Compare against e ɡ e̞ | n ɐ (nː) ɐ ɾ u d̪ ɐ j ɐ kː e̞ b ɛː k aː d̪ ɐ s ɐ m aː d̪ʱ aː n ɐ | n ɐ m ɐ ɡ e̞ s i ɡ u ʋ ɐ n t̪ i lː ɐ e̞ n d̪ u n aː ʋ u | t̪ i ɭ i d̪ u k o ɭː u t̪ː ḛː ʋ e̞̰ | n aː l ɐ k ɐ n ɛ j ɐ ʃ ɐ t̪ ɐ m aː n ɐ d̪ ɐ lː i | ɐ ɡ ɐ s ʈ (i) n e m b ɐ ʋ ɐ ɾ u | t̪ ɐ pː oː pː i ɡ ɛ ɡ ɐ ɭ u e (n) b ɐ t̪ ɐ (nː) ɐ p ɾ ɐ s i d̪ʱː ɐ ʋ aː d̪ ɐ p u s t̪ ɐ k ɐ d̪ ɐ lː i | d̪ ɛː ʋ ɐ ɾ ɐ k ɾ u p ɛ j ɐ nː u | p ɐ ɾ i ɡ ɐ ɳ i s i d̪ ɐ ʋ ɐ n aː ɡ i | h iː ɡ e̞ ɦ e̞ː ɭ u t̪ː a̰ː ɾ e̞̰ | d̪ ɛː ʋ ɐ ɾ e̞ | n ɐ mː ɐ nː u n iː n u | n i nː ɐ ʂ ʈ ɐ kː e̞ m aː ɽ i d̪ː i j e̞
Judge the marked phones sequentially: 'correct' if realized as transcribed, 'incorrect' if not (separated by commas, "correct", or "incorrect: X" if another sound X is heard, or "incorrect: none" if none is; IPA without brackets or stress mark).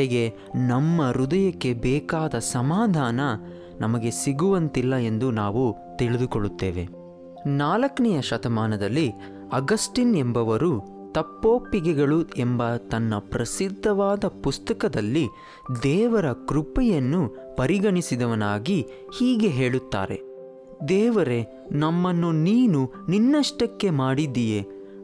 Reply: incorrect: mː, correct, incorrect: m, correct